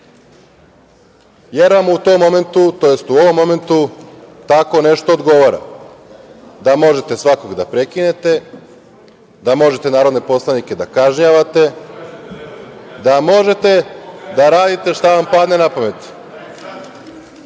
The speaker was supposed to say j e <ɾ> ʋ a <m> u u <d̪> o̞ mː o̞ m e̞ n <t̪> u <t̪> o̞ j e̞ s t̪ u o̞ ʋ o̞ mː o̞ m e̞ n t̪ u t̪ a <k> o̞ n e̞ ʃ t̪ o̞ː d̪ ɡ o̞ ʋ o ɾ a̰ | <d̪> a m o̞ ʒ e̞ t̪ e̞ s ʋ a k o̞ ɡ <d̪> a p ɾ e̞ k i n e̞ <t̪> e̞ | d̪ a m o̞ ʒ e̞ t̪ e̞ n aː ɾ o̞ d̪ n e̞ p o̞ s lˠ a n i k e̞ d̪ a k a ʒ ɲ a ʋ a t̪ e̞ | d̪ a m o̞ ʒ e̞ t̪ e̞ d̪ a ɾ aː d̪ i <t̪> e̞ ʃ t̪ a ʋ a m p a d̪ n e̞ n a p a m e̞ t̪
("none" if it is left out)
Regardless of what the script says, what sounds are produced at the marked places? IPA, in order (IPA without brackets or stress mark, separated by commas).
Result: ɾ, m, t̪, t̪, t̪, k, d̪, d̪, t̪, t̪